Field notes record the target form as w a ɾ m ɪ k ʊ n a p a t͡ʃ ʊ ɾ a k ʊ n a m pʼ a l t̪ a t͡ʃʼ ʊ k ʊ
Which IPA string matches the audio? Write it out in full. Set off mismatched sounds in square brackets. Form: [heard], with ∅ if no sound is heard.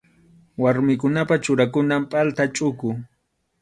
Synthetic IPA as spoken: w a ɾ m ɪ k ʊ n a p a t͡ʃ ʊ ɾ a k ʊ n a m pʼ a l t̪ a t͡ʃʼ ʊ k ʊ